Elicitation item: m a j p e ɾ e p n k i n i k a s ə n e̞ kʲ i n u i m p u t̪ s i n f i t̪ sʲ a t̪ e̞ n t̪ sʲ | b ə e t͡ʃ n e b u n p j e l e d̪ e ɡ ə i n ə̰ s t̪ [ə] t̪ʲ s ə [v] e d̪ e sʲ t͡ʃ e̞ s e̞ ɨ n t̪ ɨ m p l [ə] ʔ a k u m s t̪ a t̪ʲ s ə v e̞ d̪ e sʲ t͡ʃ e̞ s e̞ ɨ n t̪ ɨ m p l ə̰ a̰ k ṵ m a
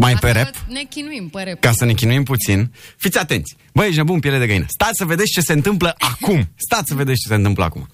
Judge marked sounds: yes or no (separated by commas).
no, yes, yes